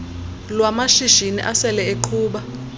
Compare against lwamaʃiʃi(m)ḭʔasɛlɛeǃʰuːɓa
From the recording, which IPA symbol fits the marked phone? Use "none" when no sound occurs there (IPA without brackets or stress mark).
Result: n